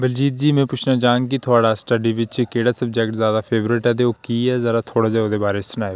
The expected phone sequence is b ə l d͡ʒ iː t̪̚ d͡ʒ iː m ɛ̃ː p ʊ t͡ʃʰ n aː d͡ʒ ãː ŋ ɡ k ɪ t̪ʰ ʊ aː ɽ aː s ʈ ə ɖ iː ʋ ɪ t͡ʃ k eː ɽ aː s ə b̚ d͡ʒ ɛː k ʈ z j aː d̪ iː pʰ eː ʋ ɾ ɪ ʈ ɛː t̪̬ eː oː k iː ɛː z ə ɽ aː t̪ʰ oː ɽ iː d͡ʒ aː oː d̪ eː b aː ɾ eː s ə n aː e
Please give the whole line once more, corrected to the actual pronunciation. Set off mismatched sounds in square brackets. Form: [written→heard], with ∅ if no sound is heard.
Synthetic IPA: b ə l d͡ʒ iː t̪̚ d͡ʒ iː m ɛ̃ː p ʊ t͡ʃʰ n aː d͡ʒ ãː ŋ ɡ k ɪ t̪ʰ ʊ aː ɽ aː s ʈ ə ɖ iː ʋ ɪ t͡ʃ k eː ɽ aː s ə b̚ d͡ʒ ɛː k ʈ z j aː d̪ [iː→aː] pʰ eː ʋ ɾ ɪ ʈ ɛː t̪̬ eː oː k iː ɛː z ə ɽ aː t̪ʰ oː ɽ [iː→aː] d͡ʒ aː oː d̪ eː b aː ɾ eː s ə n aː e